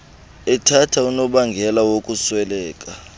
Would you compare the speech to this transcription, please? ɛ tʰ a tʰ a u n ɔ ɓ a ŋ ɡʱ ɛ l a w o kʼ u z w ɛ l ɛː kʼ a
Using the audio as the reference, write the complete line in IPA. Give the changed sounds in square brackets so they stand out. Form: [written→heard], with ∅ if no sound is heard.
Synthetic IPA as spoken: ɛ tʰ a tʰ a u n ɔ ɓ a ŋ ɡʱ ɛ l a w o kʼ u [z→s] w ɛ l ɛː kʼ a

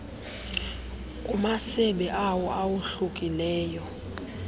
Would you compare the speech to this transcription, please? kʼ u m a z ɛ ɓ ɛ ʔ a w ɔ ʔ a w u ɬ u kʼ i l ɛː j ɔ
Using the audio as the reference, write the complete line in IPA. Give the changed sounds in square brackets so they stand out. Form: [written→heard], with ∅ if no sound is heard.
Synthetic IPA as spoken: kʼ u m a [z→s] ɛ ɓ ɛ ʔ a w ɔ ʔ a w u ɬ u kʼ i l ɛː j ɔ

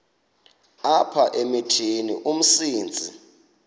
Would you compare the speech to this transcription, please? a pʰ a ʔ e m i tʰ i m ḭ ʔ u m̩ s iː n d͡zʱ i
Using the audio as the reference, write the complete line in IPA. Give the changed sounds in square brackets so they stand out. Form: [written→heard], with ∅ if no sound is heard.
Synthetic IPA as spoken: a pʰ a ʔ e m i tʰ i [m→n] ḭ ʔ u m̩ s iː n d͡zʱ i

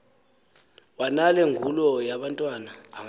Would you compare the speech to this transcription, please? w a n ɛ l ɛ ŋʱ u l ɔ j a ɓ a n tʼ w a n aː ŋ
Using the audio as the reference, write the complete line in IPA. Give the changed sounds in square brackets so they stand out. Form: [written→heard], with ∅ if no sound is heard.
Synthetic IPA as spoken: w a n [ɛ→a] l ɛ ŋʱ u l ɔ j a ɓ a n tʼ w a n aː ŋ

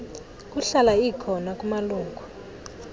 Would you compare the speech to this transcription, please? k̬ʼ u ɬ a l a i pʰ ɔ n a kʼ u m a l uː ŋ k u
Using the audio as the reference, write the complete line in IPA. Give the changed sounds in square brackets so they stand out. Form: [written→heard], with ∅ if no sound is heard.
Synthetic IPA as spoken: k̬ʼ u ɬ a l a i [pʰ→kʰ] ɔ n a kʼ u m a l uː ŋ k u

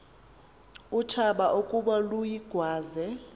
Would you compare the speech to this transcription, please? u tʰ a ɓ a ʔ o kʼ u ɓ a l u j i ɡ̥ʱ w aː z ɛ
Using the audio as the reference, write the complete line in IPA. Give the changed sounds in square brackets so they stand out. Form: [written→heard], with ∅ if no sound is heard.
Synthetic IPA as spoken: u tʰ a ɓ a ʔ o kʼ u ɓ a l u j i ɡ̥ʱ w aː z ɛ

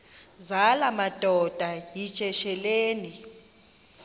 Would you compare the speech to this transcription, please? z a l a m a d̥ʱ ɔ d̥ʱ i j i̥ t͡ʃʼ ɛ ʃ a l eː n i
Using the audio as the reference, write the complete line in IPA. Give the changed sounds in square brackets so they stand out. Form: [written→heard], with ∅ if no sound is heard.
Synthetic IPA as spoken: z a l a m a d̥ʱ ɔ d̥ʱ [i→a] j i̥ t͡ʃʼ ɛ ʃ [a→ɛ] l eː n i

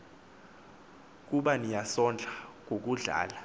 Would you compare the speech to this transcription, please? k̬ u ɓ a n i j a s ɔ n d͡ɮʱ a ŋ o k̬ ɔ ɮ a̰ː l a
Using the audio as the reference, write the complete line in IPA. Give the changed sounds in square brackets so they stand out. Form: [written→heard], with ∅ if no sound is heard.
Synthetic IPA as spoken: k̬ u ɓ a n i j a s ɔ n d͡ɮʱ a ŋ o k̬ [ɔ→u] ɮ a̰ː l a

